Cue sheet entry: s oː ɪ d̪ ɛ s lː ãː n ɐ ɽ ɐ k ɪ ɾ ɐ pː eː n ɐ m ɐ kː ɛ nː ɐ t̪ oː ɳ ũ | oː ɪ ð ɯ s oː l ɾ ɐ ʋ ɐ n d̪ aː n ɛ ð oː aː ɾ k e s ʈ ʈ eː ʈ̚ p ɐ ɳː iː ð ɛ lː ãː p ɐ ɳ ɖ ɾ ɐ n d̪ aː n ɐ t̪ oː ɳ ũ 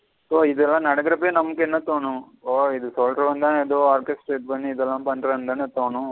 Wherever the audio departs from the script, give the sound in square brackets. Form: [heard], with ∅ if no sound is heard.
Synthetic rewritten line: s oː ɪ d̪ ɛ [∅] lː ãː n ɐ ɽ ɐ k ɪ ɾ ɐ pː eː n ɐ m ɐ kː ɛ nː ɐ t̪ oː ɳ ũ | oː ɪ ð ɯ s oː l ɾ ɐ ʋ ɐ n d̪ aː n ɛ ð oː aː ɾ k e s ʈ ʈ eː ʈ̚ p ɐ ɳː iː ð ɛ lː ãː p ɐ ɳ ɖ ɾ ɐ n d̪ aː n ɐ t̪ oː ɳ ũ

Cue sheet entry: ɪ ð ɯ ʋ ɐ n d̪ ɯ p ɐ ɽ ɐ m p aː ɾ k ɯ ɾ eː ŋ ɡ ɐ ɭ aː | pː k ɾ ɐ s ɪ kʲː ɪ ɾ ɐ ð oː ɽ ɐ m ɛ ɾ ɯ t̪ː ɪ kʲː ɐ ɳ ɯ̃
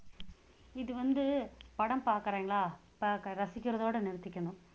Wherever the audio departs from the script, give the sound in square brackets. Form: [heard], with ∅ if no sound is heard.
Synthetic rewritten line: ɪ ð ɯ ʋ ɐ n d̪ ɯ p ɐ ɽ ɐ m p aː ɾ k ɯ ɾ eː ŋ ɡ ɐ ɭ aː | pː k ɾ ɐ s ɪ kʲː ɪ ɾ ɐ ð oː ɽ ɐ [n] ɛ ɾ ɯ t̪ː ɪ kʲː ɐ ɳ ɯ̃

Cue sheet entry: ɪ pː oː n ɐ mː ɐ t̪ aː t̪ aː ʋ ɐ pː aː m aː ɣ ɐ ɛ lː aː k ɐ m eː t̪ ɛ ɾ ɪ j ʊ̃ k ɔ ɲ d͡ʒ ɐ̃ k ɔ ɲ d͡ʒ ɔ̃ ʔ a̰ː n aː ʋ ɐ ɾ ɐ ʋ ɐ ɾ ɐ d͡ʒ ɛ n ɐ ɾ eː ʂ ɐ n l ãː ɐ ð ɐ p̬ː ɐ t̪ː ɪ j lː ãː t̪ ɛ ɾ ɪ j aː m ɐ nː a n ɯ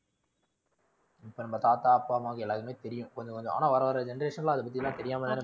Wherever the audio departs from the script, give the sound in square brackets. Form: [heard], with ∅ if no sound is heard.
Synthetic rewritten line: ɪ pː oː n ɐ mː ɐ t̪ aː t̪ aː [∅] ɐ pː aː m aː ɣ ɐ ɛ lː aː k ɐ m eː t̪ ɛ ɾ ɪ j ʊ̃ k ɔ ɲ d͡ʒ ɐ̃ k ɔ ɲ d͡ʒ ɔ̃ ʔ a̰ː n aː ʋ ɐ ɾ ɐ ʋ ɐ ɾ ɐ d͡ʒ ɛ n ɐ ɾ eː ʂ ɐ n l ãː ɐ ð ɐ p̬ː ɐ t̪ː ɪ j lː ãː t̪ ɛ ɾ ɪ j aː m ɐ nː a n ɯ

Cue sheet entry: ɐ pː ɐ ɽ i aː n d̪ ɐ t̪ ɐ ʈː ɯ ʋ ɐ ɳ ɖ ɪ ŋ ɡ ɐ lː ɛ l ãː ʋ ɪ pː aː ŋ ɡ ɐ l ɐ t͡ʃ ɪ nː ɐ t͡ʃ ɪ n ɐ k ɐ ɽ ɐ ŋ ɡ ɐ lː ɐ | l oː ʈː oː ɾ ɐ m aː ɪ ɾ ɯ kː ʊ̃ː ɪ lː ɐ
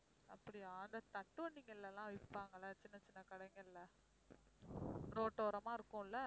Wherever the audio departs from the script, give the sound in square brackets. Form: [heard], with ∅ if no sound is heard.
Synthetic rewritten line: ɐ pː ɐ ɽ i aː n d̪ ɐ t̪ ɐ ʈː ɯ ʋ ɐ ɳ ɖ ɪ ŋ ɡ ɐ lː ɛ l ãː ʋ ɪ pː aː ŋ ɡ ɐ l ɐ t͡ʃ ɪ nː ɐ t͡ʃ ɪ [nː] ɐ k ɐ ɽ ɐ ŋ ɡ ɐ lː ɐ | [ɾ] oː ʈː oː ɾ ɐ m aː ɪ ɾ ɯ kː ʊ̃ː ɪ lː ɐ

